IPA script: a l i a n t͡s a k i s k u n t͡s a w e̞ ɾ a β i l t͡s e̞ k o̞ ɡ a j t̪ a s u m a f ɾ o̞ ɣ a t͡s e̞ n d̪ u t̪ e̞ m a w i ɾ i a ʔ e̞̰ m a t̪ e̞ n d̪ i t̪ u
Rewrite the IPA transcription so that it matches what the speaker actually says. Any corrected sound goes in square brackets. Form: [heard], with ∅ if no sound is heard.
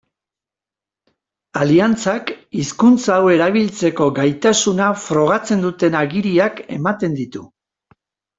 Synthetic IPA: a l i a n t͡s a k i s k u n t͡s a w e̞ ɾ a β i l t͡s e̞ k o̞ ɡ a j t̪ a s u [n] a f ɾ o̞ ɣ a t͡s e̞ n d̪ u t̪ e̞ [n] a [ɣ] i ɾ i a [k] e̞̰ m a t̪ e̞ n d̪ i t̪ u